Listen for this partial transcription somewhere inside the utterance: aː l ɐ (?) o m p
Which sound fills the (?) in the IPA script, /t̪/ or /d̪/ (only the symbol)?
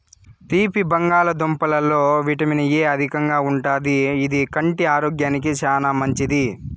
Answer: d̪